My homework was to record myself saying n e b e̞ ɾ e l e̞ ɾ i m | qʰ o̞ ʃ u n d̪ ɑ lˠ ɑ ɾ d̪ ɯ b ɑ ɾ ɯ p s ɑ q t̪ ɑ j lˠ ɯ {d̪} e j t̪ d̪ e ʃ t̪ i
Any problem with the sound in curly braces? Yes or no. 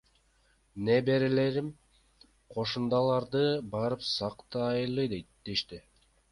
no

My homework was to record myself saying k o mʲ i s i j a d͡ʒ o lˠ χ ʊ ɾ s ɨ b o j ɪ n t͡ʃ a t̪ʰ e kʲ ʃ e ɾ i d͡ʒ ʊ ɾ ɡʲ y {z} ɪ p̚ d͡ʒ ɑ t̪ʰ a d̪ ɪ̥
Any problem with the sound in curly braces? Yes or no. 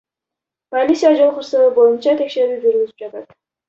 no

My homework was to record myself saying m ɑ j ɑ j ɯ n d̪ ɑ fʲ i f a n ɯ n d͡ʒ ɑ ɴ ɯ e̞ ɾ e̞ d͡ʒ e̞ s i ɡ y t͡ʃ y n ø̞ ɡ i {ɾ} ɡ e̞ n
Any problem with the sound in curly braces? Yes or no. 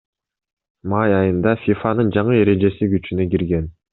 no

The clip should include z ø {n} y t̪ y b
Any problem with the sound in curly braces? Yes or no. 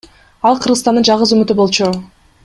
yes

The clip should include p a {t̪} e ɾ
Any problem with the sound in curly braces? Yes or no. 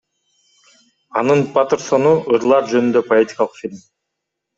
no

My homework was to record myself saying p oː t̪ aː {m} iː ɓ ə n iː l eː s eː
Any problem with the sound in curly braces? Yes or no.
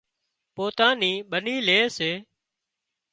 yes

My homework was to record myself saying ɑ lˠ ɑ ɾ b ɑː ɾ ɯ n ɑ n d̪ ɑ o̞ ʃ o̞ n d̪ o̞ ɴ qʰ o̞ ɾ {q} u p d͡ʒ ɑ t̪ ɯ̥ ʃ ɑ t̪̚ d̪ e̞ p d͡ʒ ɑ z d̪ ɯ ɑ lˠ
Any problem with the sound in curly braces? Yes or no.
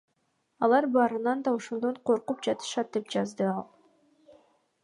no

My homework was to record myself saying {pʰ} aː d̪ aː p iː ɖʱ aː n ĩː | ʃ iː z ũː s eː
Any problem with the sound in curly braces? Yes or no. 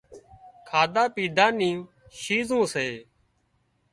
yes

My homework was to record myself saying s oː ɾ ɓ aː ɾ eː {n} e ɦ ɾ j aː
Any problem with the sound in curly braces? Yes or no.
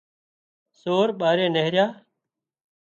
no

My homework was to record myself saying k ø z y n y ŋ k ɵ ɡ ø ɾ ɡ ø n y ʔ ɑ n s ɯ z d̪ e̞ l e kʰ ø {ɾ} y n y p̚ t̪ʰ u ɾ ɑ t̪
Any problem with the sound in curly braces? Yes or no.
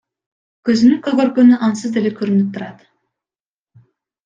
no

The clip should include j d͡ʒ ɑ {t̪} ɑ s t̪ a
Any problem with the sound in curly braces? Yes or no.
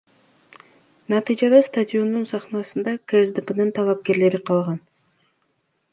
yes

